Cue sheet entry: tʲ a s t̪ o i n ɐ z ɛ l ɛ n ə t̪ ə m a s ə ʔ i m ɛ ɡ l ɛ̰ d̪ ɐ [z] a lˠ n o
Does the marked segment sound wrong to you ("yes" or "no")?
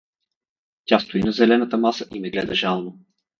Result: yes